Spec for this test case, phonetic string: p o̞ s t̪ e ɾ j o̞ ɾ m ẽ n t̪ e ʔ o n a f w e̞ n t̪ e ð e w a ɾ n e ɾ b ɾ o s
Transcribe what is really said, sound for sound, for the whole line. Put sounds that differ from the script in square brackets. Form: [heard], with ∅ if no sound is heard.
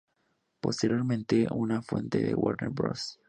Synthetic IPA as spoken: p o̞ s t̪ e ɾ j o̞ ɾ m ẽ n t̪ e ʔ [u] n a f w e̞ n t̪ e ð e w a ɾ n e ɾ b ɾ o s